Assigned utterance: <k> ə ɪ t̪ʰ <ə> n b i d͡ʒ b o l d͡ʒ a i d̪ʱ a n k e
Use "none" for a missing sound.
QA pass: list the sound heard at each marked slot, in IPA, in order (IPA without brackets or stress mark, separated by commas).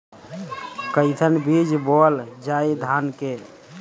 k, ə